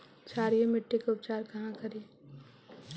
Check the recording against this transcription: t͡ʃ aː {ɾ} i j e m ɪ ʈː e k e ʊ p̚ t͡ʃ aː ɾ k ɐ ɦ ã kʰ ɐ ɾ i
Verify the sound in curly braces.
correct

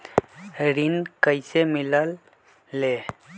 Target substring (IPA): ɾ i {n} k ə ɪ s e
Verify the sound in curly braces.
correct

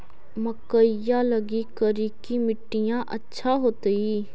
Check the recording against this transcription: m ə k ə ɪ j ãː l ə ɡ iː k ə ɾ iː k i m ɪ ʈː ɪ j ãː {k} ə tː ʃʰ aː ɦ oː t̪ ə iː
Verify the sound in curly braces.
incorrect: ʔ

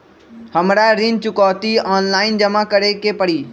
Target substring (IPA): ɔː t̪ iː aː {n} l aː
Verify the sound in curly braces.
correct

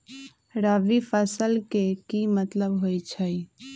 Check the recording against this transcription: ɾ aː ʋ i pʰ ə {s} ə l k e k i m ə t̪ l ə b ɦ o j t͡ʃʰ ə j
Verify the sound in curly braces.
correct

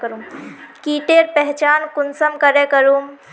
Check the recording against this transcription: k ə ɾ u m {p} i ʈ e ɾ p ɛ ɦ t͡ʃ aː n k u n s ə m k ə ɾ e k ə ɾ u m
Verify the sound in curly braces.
incorrect: k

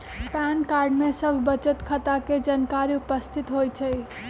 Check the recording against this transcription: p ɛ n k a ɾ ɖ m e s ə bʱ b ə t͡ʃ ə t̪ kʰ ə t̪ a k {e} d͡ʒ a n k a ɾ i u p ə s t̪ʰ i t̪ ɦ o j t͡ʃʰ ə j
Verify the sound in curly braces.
correct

